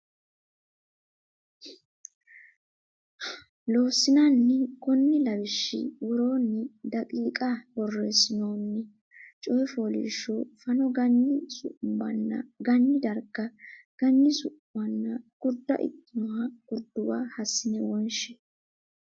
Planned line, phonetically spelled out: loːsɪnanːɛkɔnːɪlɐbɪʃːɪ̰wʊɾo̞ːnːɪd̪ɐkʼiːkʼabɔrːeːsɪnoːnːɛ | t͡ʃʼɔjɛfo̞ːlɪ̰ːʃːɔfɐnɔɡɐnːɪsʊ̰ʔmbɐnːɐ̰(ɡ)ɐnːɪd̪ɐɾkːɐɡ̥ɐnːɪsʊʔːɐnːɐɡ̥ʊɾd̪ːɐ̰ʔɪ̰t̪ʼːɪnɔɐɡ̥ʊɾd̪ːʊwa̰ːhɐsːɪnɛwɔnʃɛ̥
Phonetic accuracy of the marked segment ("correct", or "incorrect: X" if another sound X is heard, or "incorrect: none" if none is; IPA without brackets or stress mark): correct